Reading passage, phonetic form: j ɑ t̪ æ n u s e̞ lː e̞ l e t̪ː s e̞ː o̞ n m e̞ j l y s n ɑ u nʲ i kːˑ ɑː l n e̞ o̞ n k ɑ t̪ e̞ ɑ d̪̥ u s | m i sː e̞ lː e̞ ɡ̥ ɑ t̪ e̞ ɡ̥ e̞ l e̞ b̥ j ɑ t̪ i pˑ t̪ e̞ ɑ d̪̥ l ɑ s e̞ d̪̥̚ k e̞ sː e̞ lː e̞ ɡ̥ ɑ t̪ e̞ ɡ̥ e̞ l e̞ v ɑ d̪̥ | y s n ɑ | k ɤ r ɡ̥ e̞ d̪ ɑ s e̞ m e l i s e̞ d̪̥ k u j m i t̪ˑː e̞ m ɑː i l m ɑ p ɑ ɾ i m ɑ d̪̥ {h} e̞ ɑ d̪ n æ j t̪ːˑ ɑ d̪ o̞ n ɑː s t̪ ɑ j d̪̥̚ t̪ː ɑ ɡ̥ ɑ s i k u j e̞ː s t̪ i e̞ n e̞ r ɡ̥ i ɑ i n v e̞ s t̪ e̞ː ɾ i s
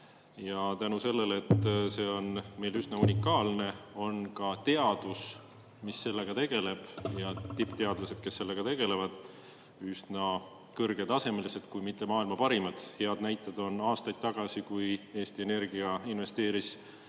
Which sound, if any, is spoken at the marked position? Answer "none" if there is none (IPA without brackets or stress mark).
h